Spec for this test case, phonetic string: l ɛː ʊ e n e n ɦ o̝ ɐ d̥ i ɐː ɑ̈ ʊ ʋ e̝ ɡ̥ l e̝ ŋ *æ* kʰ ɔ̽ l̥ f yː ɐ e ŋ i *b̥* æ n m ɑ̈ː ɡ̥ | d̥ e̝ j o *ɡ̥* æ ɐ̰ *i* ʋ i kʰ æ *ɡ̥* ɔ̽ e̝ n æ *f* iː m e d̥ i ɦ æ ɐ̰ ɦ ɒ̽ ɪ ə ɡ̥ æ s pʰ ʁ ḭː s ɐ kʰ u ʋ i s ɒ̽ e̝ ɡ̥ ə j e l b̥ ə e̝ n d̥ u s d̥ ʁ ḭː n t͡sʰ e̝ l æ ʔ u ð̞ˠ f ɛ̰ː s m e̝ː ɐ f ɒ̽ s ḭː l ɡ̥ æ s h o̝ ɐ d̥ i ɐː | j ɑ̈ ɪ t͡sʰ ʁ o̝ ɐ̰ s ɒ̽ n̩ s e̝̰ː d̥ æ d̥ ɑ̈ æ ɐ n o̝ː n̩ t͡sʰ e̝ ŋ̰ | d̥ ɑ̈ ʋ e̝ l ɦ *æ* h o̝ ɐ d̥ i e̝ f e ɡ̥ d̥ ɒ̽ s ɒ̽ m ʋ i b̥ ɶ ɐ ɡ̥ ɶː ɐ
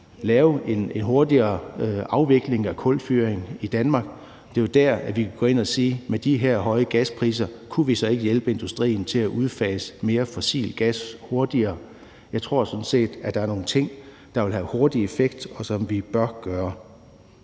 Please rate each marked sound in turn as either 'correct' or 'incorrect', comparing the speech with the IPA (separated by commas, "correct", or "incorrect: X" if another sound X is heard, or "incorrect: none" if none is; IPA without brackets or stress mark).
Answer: correct, incorrect: d̥, incorrect: d̥, incorrect: æ, correct, incorrect: s, correct